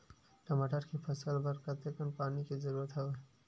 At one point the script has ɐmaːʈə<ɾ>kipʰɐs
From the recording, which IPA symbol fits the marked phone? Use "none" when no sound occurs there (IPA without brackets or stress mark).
ɾ